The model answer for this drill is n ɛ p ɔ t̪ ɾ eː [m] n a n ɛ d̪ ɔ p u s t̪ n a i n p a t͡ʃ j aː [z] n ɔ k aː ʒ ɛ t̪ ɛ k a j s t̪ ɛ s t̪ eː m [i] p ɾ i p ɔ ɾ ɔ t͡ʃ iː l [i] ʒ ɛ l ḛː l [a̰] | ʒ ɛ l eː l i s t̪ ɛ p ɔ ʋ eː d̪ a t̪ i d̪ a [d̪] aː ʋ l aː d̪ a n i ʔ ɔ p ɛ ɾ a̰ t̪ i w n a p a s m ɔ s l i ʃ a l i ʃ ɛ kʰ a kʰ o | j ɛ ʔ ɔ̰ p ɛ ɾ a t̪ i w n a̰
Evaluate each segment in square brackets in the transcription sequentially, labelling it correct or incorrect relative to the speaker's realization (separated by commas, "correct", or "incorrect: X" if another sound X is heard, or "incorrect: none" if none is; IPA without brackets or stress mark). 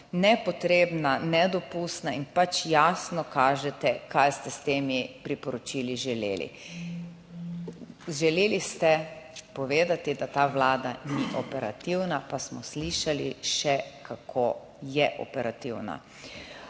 incorrect: b, incorrect: s, correct, correct, incorrect: ḭ, incorrect: t̪